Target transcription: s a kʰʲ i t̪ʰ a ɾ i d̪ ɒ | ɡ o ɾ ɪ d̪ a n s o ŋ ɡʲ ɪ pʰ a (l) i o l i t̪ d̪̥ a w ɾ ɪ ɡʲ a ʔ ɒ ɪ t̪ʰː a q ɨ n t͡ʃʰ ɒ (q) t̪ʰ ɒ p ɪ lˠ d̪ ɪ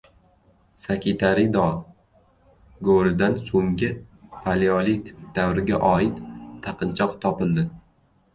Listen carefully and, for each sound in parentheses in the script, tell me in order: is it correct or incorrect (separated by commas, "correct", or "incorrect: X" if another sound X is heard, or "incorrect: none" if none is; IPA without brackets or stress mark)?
correct, correct